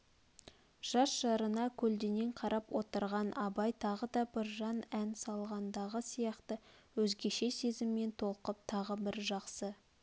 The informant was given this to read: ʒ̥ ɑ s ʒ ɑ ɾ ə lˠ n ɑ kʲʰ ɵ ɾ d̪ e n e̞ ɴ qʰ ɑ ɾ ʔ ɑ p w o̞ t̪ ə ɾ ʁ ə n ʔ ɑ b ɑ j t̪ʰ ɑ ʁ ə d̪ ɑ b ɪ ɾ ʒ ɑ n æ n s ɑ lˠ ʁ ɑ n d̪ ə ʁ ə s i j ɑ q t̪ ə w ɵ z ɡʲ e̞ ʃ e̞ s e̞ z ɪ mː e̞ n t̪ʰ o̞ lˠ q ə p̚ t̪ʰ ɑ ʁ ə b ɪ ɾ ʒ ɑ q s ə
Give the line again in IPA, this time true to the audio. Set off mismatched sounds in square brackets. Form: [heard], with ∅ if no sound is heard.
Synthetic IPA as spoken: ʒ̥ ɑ s ʒ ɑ ɾ ə [∅] n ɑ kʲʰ ɵ [l] d̪ e n e̞ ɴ qʰ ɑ ɾ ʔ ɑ p w o̞ t̪ ə ɾ ʁ [ɑ] n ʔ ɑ b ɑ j t̪ʰ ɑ ʁ ə d̪ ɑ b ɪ ɾ ʒ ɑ n æ n s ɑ lˠ ʁ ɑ n d̪ [ɑ] ʁ ə s i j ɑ q t̪ ə w ɵ z ɡʲ e̞ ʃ e̞ s e̞ z ɪ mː e̞ n t̪ʰ o̞ lˠ q ə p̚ t̪ʰ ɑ ʁ ə b ɪ ɾ ʒ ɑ q s ə